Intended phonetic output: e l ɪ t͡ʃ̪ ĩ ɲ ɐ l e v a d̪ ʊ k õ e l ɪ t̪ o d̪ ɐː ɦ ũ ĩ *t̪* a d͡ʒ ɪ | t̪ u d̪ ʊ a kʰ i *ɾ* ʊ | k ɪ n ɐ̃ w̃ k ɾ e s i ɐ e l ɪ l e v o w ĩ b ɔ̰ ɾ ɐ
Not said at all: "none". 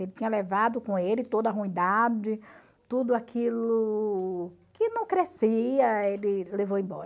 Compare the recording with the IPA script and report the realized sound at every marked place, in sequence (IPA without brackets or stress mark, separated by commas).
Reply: d̪, l